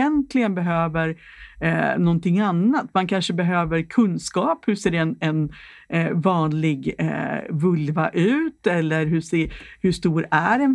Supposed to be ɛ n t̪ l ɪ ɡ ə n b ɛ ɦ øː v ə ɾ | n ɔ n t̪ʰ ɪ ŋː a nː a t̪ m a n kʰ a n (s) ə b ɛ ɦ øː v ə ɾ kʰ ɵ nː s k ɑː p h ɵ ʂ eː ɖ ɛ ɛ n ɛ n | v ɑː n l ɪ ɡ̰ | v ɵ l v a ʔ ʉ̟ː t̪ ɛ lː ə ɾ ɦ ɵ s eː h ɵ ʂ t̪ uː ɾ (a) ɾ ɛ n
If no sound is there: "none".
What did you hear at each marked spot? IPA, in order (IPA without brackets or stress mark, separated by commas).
ʂ, æ